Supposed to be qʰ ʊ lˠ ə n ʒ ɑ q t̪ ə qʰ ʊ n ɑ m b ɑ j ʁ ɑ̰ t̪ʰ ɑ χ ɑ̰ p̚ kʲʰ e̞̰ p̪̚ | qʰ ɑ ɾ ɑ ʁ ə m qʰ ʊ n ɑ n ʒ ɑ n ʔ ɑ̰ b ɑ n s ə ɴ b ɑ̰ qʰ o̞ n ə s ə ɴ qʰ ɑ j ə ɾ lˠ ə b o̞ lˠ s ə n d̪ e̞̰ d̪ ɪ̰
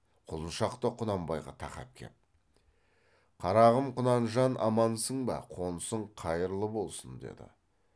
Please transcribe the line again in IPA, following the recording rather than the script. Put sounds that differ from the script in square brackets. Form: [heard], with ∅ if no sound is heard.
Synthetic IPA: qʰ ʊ lˠ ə n [ʃ] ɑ q t̪ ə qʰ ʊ n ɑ m b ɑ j ʁ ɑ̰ t̪ʰ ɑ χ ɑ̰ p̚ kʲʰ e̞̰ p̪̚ | qʰ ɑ ɾ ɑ ʁ ə m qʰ ʊ n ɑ n ʒ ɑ n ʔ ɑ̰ [m] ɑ n s ə ɴ b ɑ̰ qʰ o̞ n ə s ə ɴ qʰ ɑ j ə ɾ lˠ ə b o̞ lˠ s ə n d̪ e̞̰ d̪ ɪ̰